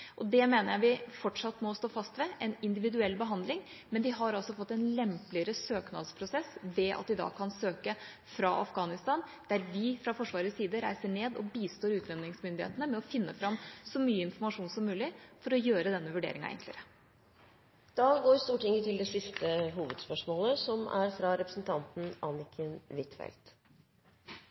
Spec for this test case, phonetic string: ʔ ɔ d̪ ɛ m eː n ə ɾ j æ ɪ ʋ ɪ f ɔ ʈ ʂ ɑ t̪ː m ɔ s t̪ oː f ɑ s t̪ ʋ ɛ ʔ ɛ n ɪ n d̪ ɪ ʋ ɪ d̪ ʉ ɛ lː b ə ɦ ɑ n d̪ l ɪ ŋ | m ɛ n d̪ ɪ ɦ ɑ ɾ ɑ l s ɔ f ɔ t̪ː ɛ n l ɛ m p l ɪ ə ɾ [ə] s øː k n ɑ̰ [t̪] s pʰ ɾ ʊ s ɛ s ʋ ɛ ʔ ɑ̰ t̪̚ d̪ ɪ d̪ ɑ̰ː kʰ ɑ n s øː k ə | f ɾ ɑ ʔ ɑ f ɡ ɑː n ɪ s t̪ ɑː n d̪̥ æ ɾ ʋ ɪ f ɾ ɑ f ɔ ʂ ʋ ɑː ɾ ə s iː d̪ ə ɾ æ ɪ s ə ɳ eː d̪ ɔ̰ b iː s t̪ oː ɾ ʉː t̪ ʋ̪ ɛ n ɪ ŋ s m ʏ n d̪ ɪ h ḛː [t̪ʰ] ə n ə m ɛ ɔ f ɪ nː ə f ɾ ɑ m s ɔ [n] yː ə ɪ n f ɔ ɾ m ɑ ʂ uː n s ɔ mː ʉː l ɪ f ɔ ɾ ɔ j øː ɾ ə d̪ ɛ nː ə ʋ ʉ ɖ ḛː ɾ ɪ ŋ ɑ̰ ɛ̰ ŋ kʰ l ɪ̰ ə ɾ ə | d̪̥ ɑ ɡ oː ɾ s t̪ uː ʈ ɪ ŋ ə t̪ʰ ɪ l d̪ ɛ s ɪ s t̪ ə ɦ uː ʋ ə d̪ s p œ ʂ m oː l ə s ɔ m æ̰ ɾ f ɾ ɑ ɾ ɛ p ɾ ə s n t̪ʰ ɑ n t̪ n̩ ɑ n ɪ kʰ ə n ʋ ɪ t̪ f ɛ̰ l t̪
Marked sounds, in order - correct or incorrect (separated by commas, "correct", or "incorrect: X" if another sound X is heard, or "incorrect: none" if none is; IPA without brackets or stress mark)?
correct, incorrect: d̪, incorrect: t̪, incorrect: m